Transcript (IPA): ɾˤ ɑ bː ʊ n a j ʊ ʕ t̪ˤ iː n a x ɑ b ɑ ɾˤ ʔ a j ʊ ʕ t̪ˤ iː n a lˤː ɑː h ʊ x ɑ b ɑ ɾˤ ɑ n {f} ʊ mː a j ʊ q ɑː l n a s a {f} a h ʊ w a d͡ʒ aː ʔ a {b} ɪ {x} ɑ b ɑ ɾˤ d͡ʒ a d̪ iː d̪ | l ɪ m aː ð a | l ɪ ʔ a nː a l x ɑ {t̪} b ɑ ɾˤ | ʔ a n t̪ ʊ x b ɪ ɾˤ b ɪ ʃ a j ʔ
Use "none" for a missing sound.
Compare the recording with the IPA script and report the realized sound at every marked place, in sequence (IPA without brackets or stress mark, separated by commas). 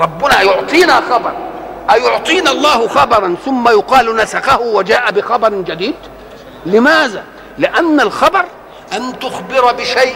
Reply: θ, x, b, x, none